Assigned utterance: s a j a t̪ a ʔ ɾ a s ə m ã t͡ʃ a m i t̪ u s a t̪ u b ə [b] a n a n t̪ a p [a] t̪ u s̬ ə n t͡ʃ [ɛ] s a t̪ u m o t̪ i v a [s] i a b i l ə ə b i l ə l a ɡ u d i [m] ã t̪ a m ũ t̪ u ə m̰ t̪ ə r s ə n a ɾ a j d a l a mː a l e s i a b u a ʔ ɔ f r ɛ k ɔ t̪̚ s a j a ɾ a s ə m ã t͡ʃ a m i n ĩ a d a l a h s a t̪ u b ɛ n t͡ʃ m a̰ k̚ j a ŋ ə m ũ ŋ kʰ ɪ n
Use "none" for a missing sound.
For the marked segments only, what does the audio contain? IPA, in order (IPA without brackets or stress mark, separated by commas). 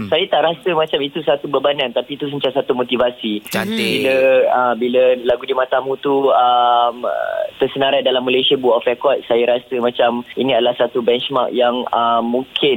b, i, a, s, m